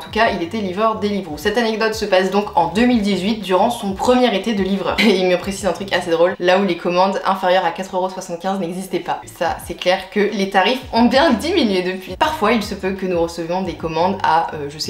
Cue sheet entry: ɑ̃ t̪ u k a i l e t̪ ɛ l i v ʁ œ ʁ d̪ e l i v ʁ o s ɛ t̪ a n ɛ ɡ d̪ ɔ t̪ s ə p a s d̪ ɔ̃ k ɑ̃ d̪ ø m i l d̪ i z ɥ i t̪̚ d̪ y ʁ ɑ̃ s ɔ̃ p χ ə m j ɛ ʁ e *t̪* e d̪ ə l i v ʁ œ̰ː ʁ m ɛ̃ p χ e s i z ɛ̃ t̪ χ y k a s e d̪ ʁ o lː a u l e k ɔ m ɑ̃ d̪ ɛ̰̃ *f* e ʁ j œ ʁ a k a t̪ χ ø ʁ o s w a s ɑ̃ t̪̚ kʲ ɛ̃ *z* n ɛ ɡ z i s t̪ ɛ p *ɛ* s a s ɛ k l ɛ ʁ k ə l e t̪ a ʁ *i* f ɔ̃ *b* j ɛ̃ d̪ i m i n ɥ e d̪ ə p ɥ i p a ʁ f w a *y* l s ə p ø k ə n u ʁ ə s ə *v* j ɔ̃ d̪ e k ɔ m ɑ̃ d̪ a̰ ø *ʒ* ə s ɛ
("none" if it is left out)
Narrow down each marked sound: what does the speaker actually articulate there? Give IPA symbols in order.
t̪, f, z, a, i, b, i, v, ʒ

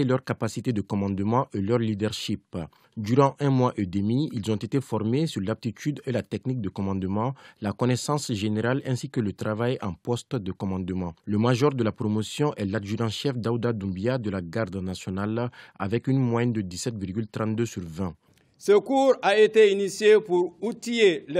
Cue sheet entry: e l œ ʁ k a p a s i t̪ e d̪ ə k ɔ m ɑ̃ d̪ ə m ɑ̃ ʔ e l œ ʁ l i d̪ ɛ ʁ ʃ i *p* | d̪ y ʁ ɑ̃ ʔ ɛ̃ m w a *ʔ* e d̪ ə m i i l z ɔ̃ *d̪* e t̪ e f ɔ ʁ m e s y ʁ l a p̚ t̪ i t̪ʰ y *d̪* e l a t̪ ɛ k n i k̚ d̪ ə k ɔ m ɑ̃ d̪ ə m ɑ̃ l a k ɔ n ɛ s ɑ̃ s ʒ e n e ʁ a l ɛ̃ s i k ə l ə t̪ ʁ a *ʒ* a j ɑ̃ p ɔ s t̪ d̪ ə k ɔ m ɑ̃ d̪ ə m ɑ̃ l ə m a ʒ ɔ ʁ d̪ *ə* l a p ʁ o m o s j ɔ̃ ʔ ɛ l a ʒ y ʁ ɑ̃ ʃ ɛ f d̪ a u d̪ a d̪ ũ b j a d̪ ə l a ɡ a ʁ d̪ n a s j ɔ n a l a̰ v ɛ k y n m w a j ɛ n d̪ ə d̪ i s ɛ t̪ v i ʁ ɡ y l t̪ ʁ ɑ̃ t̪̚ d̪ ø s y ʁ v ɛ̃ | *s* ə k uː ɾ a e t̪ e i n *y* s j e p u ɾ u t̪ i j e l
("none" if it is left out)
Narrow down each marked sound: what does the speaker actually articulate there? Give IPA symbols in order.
p, ʔ, t̪, d̪, v, ə, s, i

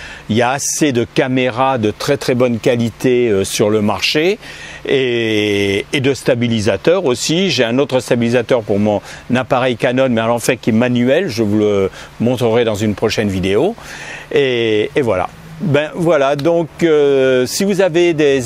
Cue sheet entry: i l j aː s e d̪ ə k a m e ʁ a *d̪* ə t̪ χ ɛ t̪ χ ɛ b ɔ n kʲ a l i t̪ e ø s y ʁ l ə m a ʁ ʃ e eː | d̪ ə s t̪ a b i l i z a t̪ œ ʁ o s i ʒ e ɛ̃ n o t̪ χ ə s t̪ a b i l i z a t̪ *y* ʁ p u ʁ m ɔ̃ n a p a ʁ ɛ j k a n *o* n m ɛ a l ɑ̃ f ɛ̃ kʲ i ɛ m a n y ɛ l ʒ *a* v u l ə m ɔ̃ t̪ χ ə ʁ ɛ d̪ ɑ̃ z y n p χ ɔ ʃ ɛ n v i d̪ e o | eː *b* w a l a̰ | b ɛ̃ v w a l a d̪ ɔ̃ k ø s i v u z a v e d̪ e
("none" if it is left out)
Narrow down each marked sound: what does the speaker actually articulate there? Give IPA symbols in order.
d̪, œ, ɔ, ə, v

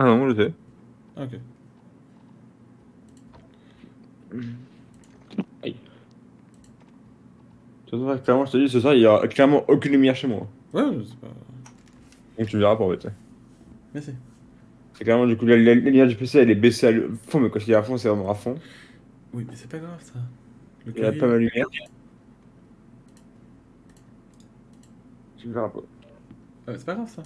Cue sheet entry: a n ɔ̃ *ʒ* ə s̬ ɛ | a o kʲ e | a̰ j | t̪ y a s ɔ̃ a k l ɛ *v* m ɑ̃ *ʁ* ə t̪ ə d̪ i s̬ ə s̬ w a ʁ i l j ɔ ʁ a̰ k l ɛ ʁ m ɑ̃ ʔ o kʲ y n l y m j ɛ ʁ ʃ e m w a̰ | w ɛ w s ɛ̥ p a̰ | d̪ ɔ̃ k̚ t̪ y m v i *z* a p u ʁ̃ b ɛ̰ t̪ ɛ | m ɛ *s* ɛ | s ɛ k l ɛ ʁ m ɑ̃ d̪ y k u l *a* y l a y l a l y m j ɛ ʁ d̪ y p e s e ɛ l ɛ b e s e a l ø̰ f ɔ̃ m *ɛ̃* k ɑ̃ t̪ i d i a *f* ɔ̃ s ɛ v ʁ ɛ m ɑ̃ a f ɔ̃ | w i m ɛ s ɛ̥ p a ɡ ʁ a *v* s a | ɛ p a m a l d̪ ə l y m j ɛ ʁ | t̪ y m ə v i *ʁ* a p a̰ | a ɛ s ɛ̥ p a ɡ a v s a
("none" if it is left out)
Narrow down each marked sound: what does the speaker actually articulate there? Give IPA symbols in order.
ʒ, ʁ, ʒ, ʁ, s, a, ɛ, f, v, ʁ

